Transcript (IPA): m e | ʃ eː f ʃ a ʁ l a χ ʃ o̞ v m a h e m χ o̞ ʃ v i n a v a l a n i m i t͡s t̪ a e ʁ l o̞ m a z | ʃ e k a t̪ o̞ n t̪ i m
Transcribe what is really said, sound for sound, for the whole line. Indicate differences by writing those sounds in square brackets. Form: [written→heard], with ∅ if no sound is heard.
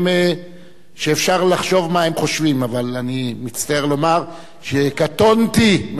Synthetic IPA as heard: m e | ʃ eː f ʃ a ʁ l a χ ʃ o̞ v m a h e m χ o̞ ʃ v i [n→m] a v a l a n i m i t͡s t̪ a e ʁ l o̞ m a [z→ʁ] | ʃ e k a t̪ o̞ n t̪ i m